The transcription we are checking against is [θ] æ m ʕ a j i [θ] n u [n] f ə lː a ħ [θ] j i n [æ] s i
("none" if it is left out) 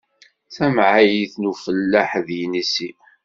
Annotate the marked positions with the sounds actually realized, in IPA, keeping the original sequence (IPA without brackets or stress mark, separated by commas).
θ, θ, none, ð, i